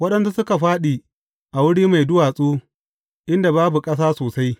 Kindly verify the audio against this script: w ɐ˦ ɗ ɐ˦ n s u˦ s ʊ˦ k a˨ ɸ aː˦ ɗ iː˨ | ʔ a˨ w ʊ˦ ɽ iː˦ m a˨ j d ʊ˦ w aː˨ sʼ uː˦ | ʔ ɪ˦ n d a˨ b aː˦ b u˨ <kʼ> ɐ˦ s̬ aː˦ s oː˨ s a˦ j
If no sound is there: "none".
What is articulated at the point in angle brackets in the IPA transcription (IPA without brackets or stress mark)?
kʼ